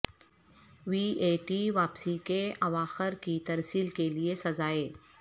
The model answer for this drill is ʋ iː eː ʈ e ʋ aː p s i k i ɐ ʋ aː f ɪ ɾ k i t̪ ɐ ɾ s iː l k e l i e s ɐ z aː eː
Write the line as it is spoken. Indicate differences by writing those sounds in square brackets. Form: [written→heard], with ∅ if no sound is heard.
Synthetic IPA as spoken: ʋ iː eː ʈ [e→i] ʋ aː p s i k [i→e] ɐ ʋ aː [f→x] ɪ ɾ k i t̪ ɐ ɾ s iː l k e l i e s ɐ z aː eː